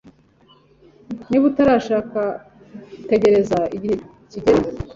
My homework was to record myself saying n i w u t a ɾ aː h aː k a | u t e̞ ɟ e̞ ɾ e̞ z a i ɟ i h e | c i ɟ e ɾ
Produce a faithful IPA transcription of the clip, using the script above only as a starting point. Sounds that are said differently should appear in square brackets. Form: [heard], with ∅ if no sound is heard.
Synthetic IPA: n i [β] u t a ɾ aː [ʃ] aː k a | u t e̞ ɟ e̞ ɾ e̞ z a i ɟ i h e | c i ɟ e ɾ